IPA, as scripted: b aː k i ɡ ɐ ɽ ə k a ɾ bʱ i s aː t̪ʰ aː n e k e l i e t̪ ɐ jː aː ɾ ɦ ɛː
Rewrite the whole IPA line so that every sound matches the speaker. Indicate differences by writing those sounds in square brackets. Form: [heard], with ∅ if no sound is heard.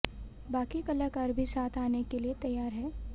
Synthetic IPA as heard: b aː k i [k] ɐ [l] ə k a ɾ bʱ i s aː t̪ʰ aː n e k e l i e t̪ ɐ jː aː ɾ ɦ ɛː

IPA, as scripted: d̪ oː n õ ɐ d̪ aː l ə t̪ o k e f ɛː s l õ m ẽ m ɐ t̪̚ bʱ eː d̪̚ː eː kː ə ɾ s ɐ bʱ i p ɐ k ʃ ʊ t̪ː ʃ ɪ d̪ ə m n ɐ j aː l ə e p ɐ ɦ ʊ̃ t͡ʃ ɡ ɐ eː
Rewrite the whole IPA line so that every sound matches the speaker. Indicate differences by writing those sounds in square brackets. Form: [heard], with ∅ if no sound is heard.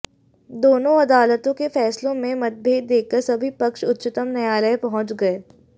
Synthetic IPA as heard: d̪ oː n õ ɐ d̪ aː l ə t̪ [õ] k e f ɛː s l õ m ẽ m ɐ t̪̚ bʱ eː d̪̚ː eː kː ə ɾ s ɐ bʱ i p ɐ k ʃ ʊ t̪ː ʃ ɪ [t̪] ə m n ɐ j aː l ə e p ɐ ɦ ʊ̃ t͡ʃ ɡ ɐ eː

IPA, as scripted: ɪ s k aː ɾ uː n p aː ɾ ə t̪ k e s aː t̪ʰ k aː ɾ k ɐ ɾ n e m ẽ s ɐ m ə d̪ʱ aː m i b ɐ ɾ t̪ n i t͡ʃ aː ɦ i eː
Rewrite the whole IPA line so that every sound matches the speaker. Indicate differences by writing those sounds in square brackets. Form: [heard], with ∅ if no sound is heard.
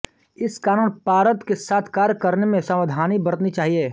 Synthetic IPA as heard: ɪ s k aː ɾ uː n p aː ɾ ə t̪ k e s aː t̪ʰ k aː ɾ k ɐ ɾ n e m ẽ s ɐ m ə d̪ʱ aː [n] i b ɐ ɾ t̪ n i t͡ʃ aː ɦ i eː

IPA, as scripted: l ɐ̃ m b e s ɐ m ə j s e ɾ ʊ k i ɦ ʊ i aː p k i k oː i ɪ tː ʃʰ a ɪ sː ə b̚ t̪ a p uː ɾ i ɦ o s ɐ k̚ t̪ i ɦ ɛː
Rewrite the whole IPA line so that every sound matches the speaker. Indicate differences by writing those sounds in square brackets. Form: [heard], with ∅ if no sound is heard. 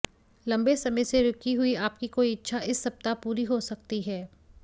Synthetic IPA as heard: l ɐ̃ m b e s ɐ m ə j s e ɾ ʊ k i ɦ ʊ i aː p k i k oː i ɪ tː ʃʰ a ɪ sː [ɐ] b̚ t̪ a p uː ɾ i ɦ o s ɐ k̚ t̪ i ɦ ɛː

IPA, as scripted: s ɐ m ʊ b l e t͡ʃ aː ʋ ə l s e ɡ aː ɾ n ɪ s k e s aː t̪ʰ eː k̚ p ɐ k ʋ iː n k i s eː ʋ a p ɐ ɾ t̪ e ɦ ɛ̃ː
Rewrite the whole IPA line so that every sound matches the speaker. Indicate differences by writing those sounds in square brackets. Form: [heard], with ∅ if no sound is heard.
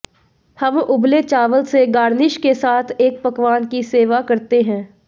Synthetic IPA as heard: [h] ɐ m ʊ b l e t͡ʃ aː ʋ ə l s e ɡ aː ɾ n ɪ [ʃ] k e s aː t̪ʰ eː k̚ p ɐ k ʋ [aː] n k i s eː ʋ a [k] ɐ ɾ t̪ e ɦ ɛ̃ː

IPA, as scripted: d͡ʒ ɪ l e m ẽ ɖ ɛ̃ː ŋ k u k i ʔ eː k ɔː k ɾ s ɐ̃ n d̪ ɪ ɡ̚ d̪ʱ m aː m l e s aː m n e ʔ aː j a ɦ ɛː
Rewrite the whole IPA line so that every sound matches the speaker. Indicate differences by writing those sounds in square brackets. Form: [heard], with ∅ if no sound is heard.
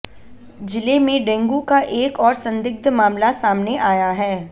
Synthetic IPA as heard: d͡ʒ ɪ l e m ẽ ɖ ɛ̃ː ŋ [ɡ] u k [a] ʔ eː k ɔː [∅] ɾ s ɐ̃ n d̪ ɪ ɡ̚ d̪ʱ m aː m l [a] s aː m n e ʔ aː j a ɦ ɛː

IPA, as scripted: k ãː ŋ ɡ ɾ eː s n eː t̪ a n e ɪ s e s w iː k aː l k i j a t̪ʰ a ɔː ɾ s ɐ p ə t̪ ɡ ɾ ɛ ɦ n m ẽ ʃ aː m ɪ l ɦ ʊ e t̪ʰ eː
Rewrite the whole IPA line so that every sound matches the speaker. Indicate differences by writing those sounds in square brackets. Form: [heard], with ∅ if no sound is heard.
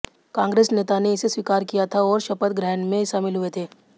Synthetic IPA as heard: k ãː ŋ ɡ ɾ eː s n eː t̪ a n e ɪ s e s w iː k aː [ɾ] k i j a t̪ʰ a ɔː ɾ [ʃ] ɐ p ə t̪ ɡ ɾ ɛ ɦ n m ẽ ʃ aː m ɪ l ɦ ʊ e t̪ʰ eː

